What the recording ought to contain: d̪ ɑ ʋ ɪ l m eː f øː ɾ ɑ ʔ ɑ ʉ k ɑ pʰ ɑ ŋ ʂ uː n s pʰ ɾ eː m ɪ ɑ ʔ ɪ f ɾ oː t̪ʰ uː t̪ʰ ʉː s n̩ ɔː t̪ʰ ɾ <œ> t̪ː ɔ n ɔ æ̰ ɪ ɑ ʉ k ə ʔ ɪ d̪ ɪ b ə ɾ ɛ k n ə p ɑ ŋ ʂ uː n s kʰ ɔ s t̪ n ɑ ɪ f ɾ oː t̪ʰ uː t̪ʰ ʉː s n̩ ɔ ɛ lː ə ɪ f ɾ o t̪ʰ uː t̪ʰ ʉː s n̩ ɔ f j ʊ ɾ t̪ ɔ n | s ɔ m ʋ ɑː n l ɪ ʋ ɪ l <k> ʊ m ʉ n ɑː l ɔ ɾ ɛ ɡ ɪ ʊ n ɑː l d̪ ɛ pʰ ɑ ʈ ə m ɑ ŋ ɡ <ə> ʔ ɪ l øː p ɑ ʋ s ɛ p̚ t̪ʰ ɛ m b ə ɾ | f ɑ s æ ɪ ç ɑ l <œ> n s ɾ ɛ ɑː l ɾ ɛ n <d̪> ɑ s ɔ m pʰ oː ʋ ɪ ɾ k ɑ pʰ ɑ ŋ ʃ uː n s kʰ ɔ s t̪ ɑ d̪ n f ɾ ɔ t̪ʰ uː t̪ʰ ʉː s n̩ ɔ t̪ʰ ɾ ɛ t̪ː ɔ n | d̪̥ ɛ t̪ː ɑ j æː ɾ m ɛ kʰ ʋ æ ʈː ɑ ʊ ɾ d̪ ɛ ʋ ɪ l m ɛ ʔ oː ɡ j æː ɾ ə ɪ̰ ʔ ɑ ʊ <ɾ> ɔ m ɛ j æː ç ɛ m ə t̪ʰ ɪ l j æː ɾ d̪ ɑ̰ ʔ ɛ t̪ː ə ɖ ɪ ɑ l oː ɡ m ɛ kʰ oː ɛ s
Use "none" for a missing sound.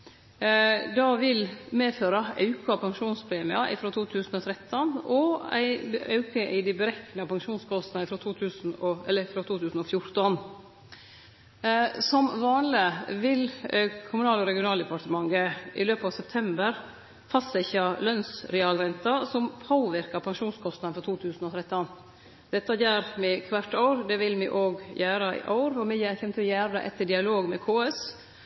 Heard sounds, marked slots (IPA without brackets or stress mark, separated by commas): ɛ, kʰ, ə, œ, t̪, ɾ